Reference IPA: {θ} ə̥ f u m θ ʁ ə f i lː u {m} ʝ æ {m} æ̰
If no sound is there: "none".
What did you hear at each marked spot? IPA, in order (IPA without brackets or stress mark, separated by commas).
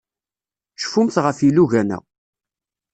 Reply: ʃ, none, n